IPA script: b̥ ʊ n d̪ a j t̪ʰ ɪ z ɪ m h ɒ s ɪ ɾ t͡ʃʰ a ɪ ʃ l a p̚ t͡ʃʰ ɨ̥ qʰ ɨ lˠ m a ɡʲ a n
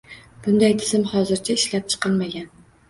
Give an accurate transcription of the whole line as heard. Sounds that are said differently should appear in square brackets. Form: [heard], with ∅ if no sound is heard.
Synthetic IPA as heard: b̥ ʊ n d̪ a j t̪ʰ ɪ z ɪ m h ɒ [z] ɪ ɾ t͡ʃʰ a ɪ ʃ l a p̚ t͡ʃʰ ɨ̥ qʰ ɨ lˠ m a ɡʲ a n

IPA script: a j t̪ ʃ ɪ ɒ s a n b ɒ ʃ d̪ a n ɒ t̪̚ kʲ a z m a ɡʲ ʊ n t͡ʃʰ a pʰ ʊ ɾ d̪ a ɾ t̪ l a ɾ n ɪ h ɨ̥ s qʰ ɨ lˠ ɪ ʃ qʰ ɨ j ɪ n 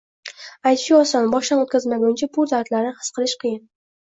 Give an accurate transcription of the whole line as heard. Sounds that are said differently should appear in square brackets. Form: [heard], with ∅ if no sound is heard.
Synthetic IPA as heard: a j t̪ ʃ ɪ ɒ s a n b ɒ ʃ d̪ a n [o] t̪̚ kʲ a z m a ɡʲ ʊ n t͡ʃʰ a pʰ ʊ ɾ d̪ a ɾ t̪ l a ɾ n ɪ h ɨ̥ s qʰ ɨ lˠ ɪ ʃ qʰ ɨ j ɪ n

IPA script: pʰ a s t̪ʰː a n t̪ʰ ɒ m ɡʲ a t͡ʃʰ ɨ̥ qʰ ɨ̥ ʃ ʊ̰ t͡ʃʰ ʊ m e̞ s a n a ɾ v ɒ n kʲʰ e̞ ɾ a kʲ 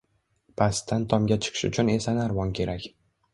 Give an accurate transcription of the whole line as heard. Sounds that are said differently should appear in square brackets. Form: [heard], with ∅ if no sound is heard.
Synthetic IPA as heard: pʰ a s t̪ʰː a n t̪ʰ ɒ m ɡʲ a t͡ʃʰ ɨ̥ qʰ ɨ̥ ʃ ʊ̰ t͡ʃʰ ʊ [n] e̞ s a n a ɾ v ɒ n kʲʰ e̞ ɾ a kʲ

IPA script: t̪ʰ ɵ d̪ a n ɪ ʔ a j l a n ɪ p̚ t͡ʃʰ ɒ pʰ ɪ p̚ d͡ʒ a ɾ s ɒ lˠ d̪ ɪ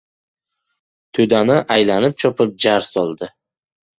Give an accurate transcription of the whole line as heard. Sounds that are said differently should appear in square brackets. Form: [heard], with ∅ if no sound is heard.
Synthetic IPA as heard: t̪ʰ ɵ d̪ a n ɪ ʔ a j l a n ɪ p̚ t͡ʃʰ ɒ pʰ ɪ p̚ d͡ʒ a ɾ s ɒ lˠ d̪ ɪ

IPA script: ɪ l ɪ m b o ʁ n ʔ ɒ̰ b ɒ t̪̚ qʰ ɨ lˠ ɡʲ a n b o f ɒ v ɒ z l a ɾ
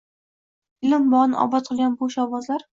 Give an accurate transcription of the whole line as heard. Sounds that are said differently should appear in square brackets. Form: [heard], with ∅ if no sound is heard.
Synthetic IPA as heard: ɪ l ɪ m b [ɒ] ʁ n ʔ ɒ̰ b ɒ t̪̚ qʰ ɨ lˠ ɡʲ a n b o [ʃ] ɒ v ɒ z l a ɾ

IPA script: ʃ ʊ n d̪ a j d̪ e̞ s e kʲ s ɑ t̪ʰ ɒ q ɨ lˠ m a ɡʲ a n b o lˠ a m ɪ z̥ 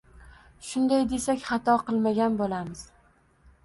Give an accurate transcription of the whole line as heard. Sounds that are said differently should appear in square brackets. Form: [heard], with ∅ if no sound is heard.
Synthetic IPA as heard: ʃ ʊ n d̪ a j d̪ e̞ s [a] kʲ [χ] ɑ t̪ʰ ɒ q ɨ lˠ m a ɡʲ a n b o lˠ a m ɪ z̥

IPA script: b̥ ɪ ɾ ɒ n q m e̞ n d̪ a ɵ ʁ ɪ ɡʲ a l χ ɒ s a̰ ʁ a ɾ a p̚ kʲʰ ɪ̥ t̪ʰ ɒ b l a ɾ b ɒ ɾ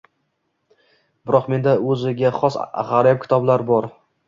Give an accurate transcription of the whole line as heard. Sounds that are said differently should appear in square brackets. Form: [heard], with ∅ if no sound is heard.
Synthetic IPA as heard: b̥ ɪ ɾ ɒ [∅] q m e̞ n d̪ a ɵ [z] ɪ ɡʲ a [∅] χ ɒ s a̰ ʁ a ɾ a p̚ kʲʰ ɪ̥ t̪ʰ ɒ b l a ɾ b ɒ ɾ

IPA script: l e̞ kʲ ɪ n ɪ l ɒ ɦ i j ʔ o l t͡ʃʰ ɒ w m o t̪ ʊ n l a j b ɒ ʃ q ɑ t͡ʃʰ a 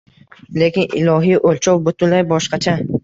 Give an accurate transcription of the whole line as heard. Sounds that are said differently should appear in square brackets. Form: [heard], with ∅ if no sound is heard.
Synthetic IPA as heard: l e̞ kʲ ɪ n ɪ l ɒ ɦ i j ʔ o l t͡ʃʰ ɒ w [b] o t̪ ʊ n l a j b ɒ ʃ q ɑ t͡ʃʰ a

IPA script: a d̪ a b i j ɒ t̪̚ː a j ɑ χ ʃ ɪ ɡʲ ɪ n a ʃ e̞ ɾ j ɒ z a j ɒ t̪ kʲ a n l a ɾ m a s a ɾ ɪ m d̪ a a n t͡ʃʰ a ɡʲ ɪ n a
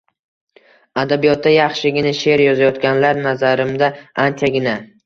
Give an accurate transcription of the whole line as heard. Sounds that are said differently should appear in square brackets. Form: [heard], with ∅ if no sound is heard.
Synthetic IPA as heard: a d̪ a b i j ɒ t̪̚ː a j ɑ χ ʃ ɪ ɡʲ ɪ n a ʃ e̞ ɾ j ɒ z a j ɒ t̪ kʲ a n l a ɾ [n] a [z] a ɾ ɪ m d̪ a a n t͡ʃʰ a ɡʲ ɪ n a

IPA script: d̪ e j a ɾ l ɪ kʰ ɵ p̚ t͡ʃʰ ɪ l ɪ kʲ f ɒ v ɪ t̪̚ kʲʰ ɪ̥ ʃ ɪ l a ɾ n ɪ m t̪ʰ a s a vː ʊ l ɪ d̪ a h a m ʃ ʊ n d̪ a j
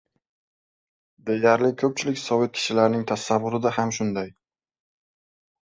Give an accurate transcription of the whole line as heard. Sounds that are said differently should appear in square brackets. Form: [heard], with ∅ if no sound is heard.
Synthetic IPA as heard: d̪ e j a ɾ l ɪ kʰ ɵ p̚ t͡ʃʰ ɪ l ɪ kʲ [s] ɒ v ɪ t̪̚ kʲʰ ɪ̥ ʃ ɪ l a ɾ n ɪ [ŋ] t̪ʰ a s a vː ʊ [ɾ] ɪ d̪ a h a m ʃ ʊ n d̪ a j

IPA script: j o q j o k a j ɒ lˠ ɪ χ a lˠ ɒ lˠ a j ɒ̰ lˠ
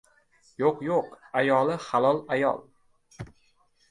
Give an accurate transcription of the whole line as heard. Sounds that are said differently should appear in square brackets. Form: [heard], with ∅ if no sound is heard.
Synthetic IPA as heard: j o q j o [q] a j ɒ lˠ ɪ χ a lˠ ɒ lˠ a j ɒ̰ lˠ

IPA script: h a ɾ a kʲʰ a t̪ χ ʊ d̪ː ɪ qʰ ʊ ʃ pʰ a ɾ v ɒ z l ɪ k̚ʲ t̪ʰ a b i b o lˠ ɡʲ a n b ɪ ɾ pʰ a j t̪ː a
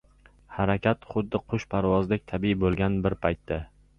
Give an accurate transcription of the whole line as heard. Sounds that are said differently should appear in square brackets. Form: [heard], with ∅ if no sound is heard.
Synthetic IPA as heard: h a ɾ a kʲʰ a t̪ χ ʊ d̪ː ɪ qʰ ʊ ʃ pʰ a ɾ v ɒ z l ɪ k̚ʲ t̪ʰ a b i b o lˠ ɡʲ a n b ɪ ɾ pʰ a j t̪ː a

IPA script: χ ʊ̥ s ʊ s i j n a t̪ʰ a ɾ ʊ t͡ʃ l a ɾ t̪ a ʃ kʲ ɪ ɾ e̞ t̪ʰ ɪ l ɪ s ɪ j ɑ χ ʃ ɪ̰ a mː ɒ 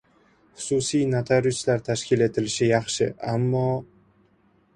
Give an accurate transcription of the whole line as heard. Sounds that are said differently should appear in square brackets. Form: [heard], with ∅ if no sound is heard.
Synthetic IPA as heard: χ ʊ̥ s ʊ s i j n a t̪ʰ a ɾ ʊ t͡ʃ l a ɾ [t̪ʰ] a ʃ kʲ ɪ [l] e̞ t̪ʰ ɪ l ɪ [ʃ] ɪ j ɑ χ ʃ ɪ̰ a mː ɒ

